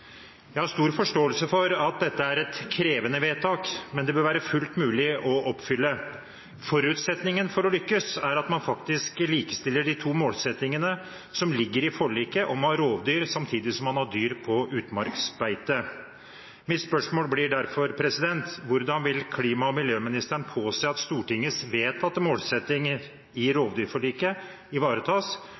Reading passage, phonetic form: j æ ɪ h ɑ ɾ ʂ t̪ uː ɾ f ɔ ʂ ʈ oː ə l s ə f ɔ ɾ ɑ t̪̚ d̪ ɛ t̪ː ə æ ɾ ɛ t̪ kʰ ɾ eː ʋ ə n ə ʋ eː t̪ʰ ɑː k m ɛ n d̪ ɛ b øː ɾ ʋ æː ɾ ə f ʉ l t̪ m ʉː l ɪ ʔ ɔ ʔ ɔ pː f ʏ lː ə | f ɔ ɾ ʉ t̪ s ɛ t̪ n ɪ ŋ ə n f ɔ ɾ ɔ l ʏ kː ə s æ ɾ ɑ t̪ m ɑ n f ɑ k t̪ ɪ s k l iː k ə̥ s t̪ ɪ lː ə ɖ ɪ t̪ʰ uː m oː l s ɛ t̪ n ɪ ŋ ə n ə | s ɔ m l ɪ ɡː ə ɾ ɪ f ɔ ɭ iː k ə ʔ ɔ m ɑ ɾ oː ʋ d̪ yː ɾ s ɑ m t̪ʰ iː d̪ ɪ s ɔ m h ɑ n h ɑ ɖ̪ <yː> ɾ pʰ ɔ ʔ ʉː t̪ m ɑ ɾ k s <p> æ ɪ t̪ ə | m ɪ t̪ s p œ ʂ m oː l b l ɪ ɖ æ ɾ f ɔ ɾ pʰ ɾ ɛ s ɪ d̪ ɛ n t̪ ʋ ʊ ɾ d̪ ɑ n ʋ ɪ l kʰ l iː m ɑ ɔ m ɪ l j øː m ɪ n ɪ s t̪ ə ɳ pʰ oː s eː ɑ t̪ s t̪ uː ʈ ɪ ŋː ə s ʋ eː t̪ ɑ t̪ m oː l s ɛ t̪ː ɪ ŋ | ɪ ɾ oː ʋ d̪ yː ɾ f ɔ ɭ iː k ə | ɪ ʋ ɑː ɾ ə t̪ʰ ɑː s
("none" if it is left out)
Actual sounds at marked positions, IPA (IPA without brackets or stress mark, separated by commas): yː, b